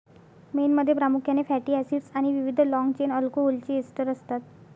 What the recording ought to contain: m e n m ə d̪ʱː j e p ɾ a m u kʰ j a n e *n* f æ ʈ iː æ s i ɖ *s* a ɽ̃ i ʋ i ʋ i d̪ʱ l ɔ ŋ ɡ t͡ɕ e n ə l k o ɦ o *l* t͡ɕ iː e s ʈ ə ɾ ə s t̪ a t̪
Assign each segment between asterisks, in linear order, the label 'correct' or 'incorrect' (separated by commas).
incorrect, correct, correct